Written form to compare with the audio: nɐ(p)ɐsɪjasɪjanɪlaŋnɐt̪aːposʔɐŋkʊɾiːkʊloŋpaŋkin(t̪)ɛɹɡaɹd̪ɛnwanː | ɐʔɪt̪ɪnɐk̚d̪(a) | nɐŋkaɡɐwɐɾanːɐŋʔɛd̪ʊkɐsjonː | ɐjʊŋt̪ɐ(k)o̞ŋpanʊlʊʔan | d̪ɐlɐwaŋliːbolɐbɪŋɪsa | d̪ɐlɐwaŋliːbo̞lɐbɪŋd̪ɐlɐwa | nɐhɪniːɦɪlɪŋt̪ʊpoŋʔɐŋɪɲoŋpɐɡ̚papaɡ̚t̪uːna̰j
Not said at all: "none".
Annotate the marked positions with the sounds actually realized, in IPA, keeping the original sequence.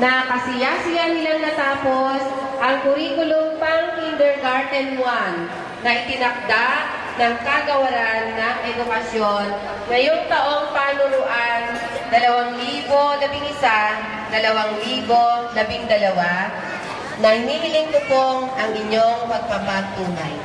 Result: k, d̪, a, ʔ

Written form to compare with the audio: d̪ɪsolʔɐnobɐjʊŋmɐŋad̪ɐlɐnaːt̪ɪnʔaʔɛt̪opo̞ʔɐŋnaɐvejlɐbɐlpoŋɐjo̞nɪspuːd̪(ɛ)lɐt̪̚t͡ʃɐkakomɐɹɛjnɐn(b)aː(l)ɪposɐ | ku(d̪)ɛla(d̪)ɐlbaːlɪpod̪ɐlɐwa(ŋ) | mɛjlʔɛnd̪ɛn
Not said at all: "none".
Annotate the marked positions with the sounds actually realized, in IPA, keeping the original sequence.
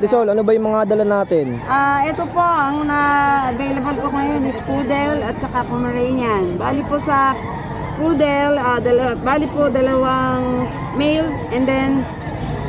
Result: ɛ, b, l, d̪, d̪, ŋ

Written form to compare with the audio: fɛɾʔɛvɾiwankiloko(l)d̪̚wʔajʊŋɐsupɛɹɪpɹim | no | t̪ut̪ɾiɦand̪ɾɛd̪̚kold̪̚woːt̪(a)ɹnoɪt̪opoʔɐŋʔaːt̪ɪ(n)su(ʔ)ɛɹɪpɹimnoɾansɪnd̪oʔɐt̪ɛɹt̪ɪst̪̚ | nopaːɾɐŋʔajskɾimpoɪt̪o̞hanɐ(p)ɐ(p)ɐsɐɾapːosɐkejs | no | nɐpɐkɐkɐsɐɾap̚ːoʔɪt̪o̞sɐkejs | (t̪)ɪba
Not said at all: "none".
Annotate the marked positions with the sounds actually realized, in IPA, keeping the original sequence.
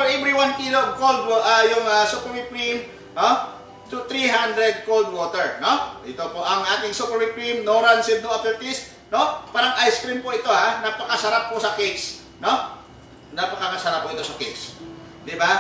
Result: l, ɛ, ŋ, p, p, k, d̪

